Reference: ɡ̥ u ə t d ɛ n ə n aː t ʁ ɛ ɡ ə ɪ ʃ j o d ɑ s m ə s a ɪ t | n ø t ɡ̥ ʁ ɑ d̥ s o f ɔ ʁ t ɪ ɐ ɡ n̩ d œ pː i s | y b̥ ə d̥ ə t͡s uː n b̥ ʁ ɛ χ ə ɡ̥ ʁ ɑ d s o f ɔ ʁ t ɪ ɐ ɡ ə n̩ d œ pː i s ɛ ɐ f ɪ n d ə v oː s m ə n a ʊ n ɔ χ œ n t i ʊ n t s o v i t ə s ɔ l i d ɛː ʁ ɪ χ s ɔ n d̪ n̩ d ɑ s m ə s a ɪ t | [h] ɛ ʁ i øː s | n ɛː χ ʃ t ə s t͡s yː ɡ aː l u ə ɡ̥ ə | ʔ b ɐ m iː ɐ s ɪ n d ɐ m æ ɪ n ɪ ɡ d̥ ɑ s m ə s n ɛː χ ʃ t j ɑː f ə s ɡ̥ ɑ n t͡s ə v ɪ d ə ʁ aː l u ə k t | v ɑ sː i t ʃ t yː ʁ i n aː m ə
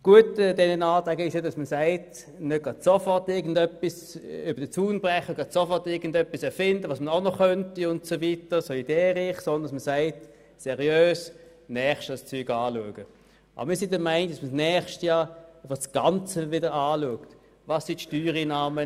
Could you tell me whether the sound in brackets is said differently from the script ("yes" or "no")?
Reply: yes